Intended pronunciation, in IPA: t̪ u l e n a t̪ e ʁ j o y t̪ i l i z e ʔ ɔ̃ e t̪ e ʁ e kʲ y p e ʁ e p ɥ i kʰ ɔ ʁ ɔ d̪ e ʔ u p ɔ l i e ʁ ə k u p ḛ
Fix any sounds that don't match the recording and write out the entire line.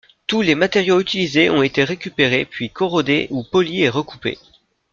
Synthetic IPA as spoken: t̪ u l e m a t̪ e ʁ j o y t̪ i l i z e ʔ ɔ̃ e t̪ e ʁ e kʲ y p e ʁ e p ɥ i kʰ ɔ ʁ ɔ d̪ e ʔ u p ɔ l i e ʁ ə k u p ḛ